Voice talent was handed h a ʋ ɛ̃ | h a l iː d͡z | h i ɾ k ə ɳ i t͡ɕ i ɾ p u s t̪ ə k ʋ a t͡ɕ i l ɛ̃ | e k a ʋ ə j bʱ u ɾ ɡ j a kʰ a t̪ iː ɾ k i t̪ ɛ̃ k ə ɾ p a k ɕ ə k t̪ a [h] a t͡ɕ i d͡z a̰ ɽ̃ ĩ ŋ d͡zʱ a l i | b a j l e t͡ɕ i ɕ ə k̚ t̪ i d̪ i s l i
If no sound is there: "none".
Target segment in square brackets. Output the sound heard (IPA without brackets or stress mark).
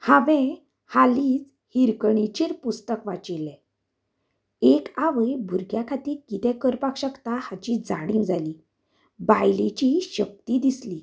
h